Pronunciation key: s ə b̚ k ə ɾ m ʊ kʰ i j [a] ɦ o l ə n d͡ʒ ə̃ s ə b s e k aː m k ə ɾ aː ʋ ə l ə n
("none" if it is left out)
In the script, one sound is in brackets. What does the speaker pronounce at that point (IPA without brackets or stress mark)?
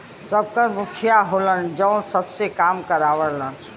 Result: a